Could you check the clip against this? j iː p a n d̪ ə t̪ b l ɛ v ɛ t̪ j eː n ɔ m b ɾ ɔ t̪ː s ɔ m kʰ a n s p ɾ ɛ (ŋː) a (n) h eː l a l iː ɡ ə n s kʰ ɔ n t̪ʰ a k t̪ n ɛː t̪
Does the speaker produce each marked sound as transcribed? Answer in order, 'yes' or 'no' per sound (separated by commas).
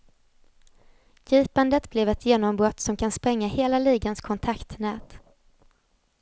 yes, no